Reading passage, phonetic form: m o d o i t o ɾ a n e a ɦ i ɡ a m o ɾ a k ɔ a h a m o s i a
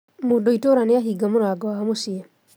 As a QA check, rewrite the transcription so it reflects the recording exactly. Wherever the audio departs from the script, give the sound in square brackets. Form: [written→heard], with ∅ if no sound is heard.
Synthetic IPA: m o d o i t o ɾ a n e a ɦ i ɡ a m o ɾ a [k→ɡ] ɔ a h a m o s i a